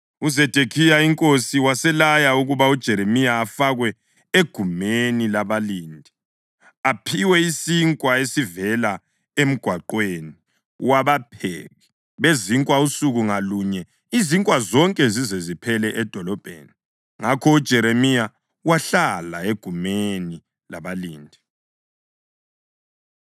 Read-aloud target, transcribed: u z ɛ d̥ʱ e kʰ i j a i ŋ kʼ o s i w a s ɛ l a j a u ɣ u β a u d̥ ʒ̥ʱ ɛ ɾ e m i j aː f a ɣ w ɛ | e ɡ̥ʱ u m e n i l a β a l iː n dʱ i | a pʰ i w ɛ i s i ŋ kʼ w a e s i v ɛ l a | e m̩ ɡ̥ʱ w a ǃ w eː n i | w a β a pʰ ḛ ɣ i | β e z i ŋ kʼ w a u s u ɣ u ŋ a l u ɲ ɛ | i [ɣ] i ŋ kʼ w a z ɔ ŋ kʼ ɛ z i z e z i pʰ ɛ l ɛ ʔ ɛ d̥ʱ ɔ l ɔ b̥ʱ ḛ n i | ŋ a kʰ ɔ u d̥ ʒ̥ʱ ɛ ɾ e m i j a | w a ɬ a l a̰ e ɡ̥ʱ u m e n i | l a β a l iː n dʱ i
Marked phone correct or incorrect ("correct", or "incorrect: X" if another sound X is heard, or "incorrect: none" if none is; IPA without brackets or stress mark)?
incorrect: z